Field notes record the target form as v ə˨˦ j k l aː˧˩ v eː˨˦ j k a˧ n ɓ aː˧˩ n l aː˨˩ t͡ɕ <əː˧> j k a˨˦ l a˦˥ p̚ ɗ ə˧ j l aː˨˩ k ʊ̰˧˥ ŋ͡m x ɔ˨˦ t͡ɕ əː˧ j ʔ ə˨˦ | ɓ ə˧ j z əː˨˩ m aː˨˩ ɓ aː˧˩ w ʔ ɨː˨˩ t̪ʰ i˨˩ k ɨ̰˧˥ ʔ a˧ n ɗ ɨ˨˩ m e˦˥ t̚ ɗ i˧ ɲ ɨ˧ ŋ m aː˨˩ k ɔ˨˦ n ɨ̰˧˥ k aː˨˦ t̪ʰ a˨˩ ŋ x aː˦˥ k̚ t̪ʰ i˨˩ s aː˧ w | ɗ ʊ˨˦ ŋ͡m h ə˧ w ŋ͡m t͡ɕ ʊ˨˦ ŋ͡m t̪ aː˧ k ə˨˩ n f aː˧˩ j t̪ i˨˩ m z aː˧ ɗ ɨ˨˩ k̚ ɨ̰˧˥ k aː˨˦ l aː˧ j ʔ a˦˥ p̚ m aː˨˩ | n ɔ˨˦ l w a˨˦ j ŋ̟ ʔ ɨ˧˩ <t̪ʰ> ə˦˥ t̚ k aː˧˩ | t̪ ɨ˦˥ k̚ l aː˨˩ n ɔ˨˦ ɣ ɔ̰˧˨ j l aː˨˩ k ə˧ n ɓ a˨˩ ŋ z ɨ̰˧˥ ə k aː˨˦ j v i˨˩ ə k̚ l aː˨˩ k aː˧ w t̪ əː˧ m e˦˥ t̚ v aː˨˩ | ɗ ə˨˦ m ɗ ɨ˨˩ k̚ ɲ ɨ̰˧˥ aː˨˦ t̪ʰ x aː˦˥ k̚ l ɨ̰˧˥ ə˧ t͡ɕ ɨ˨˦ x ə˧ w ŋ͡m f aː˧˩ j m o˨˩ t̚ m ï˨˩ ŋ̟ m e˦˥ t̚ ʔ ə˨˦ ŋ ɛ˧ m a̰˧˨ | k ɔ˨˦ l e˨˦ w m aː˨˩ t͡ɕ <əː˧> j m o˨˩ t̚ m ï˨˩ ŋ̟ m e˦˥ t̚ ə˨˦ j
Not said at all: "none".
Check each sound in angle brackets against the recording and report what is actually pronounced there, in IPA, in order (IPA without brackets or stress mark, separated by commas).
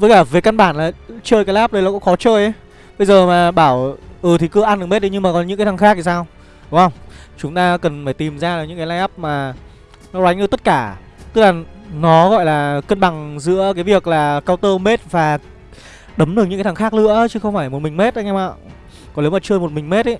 əː˧, t̪, əː˧